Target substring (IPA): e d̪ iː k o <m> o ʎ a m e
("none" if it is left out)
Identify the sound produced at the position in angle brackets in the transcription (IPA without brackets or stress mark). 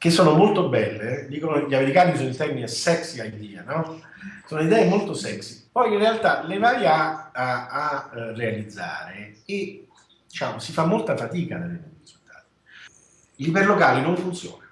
n